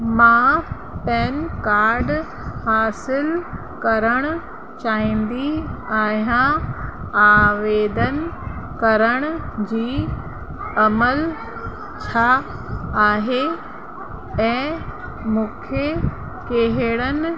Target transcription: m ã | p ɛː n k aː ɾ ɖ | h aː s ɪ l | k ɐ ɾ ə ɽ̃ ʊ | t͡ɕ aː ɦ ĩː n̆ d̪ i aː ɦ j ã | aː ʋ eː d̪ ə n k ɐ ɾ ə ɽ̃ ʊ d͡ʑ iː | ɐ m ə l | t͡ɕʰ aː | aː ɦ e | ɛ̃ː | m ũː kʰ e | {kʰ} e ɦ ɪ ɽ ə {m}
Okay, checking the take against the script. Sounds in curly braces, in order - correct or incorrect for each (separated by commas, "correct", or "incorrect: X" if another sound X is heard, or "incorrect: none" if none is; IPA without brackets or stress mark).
incorrect: k, incorrect: n